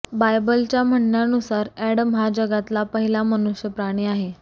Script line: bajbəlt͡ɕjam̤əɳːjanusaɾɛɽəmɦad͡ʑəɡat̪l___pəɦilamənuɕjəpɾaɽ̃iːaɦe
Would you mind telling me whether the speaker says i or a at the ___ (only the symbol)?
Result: a